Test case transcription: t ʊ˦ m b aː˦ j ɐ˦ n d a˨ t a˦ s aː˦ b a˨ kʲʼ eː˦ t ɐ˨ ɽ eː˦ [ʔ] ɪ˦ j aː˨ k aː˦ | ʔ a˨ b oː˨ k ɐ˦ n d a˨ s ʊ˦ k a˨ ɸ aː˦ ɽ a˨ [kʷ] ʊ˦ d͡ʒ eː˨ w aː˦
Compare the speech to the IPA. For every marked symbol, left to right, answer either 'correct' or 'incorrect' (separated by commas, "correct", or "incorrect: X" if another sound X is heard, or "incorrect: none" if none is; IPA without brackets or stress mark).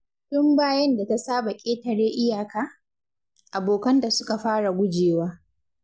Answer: correct, incorrect: ɡʷ